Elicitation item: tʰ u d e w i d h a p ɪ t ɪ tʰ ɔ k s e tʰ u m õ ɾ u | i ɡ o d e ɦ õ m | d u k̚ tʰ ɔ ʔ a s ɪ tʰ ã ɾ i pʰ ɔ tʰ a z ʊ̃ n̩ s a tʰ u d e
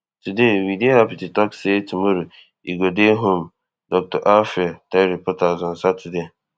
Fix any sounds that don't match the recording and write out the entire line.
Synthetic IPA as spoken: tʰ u d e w i d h a p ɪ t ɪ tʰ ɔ k s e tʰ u m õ ɾ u | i ɡ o d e ɦ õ m | d ɔ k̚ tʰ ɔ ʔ a f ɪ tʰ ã ɾ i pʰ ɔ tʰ a z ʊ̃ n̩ s a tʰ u d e

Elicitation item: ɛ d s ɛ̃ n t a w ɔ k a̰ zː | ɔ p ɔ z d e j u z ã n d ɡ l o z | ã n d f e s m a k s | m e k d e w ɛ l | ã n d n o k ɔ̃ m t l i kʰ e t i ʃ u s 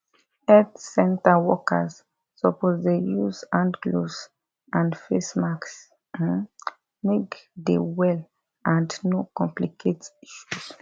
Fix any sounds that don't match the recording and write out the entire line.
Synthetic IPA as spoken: ɛ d s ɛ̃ n t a w ɔ k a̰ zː | ɔ p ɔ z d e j u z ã n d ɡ l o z | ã n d f e s m a k s | m e k d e w ɛ l | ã n d n o k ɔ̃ m p l i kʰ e t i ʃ u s

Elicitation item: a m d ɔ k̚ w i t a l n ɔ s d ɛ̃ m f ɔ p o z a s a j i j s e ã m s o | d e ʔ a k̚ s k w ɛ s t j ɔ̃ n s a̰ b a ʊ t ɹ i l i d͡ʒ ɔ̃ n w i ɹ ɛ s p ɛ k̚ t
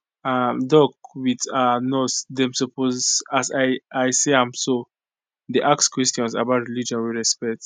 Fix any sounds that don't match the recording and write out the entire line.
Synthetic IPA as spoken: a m d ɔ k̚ w i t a n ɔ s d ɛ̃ m s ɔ p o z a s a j a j s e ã m s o | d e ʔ a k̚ s k w ɛ s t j ɔ̃ n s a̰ b a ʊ t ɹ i l i d͡ʒ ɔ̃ n w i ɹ ɛ s p ɛ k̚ t

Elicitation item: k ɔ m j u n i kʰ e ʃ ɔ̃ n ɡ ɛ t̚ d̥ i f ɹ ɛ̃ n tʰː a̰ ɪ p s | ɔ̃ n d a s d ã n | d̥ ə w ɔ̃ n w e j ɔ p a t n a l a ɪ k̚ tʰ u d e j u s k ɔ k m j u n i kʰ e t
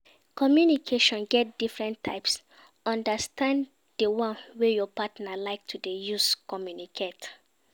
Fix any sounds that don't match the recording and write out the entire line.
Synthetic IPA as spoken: k ɔ m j u n i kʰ e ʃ ɔ̃ n ɡ ɛ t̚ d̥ i f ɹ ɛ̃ n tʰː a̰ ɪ p s | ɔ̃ n d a s t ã n | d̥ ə w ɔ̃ n w e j ɔ p a t n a l a ɪ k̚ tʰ u d e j u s k ɔ m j u n i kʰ e t

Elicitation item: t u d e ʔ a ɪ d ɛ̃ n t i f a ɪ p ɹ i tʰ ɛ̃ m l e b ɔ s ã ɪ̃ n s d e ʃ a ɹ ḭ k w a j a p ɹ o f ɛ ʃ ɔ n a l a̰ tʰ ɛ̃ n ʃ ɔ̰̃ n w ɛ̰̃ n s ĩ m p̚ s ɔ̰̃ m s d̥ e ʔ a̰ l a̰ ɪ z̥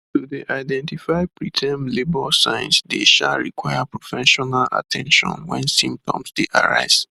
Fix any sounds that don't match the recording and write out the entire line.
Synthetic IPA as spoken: t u d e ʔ a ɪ d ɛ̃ n t i f a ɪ p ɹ i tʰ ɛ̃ m l e b ɔ s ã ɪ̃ n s d e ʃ a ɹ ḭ k w a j a p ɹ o f ɛ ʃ ɔ n a l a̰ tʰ ɛ̃ n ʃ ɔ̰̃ n w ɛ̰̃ n s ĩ m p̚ t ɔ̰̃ m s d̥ e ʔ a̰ ɹ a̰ ɪ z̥

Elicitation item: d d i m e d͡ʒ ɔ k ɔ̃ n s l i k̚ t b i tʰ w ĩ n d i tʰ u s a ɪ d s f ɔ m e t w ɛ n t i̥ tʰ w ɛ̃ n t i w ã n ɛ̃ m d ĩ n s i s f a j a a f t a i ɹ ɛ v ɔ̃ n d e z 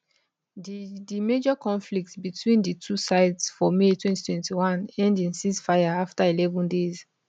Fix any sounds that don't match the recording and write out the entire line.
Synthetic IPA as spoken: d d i m e d͡ʒ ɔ k ɔ̃ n f l i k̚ t b i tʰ w ĩ n d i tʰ u s a ɪ d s f ɔ m e t w ɛ̃ n t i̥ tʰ w ɛ̃ n t i w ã n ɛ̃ n d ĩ n s i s f a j a a f t a i l ɛ v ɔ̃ n d e z

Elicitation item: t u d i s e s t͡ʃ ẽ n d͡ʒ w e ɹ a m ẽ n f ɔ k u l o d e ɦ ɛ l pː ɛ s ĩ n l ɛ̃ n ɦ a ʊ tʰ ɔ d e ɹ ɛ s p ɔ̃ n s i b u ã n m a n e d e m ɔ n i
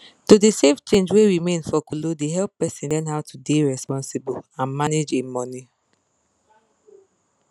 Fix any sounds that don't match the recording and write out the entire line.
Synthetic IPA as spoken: t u d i s e f t͡ʃ ẽ n d͡ʒ w e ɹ i m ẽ n f ɔ k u l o d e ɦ ɛ l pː ɛ s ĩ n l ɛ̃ n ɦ a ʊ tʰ u d e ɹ ɛ s p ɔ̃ n s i b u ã n m a n e d͡ʒ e m ɔ n i

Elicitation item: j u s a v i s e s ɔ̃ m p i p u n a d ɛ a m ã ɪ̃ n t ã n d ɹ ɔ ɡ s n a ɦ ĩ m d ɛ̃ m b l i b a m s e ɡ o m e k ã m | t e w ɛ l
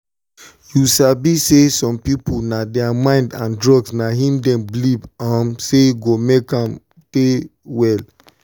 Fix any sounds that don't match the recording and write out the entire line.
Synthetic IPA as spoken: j u s a b i s e s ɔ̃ m p i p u n a d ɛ a m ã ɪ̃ n d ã n d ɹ ɔ ɡ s n a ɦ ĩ m d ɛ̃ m b l i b a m s e ɡ o m e k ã m | t e w ɛ l

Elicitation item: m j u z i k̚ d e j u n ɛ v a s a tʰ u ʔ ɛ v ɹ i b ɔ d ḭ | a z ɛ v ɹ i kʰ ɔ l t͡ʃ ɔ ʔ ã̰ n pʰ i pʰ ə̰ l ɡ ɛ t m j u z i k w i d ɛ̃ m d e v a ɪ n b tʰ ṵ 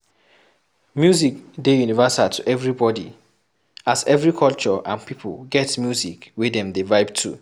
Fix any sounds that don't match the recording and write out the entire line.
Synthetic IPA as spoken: m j u z i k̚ d e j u n i v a s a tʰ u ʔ ɛ v ɹ i b ɔ d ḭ | a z ɛ v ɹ i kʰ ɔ l t͡ʃ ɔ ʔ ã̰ n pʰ i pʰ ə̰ l ɡ ɛ t m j u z i k w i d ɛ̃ m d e v a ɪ b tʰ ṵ

